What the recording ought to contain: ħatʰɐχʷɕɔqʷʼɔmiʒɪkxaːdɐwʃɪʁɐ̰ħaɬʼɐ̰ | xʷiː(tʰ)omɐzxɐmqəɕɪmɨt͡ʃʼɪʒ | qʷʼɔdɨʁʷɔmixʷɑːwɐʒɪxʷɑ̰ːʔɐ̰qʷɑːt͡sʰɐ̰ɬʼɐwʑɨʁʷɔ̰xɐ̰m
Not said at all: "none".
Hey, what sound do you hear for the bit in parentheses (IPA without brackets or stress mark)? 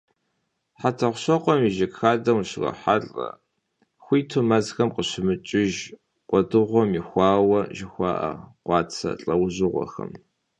tʰ